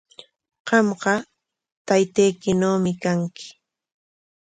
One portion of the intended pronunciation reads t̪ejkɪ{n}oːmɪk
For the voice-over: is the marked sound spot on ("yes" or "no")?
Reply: yes